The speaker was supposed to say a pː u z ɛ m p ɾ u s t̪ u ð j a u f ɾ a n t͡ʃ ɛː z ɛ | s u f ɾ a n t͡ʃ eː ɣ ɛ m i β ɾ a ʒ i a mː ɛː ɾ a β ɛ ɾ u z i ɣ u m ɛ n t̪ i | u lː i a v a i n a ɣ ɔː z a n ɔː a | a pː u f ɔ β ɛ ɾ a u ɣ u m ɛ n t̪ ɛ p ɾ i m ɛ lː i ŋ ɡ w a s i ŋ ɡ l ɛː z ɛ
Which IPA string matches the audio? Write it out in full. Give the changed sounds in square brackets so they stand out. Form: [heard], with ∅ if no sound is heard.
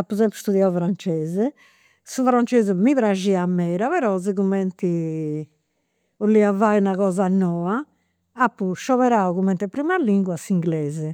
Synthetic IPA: a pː u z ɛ m p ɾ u s t̪ u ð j a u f ɾ a n t͡ʃ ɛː z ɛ | s u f ɾ a n t͡ʃ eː [z] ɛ m i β ɾ a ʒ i a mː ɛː ɾ a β ɛ ɾ [ɔ] z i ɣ u m ɛ n t̪ i | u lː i a v a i n a ɣ ɔː z a n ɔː a | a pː u [ʃ] ɔ β ɛ ɾ a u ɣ u m ɛ n t̪ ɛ p ɾ i m [a] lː i ŋ ɡ w a s i ŋ ɡ l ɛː z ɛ